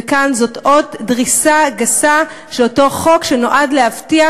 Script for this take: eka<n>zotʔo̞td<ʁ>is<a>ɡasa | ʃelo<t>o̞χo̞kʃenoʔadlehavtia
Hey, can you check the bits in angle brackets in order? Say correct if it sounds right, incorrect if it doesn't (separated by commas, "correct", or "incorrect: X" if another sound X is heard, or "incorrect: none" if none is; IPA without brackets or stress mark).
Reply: correct, correct, correct, correct